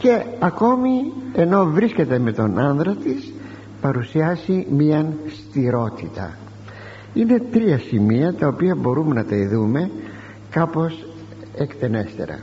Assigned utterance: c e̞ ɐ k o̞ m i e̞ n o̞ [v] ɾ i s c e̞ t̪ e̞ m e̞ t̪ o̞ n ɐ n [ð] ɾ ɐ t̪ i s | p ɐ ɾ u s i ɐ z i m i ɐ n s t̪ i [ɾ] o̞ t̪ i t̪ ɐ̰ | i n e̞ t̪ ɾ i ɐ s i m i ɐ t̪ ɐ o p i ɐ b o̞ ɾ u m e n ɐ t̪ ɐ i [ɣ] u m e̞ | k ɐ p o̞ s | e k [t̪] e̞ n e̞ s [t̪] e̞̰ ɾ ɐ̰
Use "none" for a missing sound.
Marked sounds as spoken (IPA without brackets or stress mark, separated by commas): v, ð, ɾ, ð, t̪, t̪